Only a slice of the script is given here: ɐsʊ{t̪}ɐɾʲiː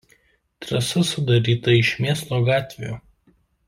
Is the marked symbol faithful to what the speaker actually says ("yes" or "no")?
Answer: no